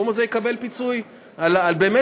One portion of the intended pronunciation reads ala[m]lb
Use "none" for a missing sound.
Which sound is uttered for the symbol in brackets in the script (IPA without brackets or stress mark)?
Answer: none